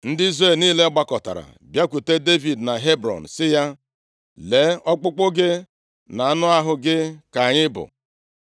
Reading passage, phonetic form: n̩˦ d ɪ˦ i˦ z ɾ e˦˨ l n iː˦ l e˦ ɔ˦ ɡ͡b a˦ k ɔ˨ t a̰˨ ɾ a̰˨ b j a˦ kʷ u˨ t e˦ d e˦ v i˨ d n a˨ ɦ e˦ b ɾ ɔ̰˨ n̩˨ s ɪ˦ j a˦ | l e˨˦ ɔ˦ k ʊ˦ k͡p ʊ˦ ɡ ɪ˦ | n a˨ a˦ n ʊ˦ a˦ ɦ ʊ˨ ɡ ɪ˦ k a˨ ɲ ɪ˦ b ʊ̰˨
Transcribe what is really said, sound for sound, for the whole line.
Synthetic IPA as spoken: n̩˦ d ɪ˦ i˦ z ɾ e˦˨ l n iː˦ l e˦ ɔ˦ ɡ͡b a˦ k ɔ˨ t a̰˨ ɾ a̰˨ b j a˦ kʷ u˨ t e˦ d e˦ v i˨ d n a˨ ɦ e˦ b ɾ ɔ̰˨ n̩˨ s ɪ˦ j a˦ | l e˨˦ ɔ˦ k͡p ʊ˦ k͡p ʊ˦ ɡ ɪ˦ | n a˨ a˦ n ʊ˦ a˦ ɦ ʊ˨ ɡ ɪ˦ k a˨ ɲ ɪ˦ b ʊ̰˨